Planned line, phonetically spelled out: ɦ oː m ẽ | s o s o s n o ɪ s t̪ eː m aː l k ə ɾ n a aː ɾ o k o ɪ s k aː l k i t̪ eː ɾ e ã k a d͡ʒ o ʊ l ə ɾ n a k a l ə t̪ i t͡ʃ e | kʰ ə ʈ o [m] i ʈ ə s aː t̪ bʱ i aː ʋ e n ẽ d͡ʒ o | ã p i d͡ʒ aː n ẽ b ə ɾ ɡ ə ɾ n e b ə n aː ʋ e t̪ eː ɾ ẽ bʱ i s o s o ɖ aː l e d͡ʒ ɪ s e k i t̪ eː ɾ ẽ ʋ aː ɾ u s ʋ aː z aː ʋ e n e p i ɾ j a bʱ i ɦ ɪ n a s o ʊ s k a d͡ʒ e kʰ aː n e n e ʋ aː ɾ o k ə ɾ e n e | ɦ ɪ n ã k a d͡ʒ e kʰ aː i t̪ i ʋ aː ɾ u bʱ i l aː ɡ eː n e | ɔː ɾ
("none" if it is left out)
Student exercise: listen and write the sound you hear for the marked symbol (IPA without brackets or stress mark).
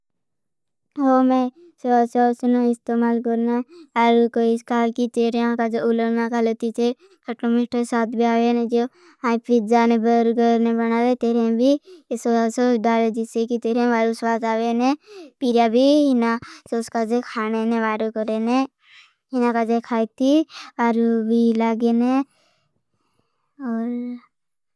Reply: m